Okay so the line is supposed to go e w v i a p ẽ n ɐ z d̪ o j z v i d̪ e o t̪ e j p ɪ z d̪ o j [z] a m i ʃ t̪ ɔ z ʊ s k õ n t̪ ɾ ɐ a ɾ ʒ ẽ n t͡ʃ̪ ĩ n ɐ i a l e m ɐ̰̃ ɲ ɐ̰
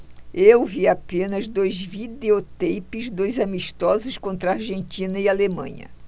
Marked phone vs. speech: correct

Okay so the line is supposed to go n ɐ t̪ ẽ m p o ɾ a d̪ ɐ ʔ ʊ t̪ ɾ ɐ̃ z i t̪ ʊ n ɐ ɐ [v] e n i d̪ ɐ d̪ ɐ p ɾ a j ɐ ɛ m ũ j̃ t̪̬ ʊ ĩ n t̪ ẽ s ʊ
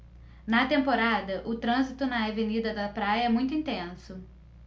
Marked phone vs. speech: correct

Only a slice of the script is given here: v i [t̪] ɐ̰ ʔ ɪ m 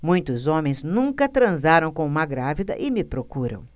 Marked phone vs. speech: incorrect: d̪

